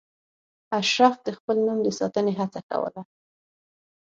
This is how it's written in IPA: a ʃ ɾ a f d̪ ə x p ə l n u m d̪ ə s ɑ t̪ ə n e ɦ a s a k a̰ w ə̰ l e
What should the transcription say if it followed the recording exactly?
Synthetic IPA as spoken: a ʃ ɾ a f d̪ ə x p ə l n u m d̪ ə s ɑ t̪ ə n e ɦ a t͡s a k a̰ w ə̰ l a